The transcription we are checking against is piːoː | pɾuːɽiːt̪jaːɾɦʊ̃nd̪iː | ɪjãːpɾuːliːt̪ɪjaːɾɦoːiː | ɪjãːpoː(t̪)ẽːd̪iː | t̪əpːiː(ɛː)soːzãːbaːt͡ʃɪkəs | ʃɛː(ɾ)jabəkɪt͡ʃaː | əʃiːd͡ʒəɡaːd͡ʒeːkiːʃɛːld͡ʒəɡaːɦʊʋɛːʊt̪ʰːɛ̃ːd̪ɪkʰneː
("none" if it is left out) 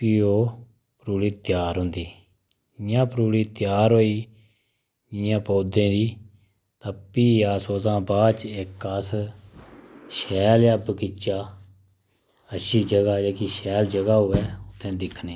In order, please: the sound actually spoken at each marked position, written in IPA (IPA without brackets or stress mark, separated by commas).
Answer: d̪, aː, l